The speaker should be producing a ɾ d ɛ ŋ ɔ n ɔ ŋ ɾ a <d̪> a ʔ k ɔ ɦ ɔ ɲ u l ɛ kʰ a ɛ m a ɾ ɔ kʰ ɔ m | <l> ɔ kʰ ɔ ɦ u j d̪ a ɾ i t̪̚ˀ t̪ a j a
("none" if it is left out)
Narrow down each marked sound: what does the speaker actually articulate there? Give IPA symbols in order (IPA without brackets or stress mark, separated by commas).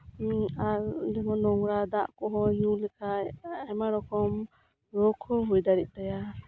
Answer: d̪, ɾ